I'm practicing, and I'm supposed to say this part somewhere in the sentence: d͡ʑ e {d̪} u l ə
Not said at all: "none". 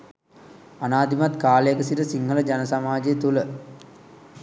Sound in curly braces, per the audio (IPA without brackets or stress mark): t̪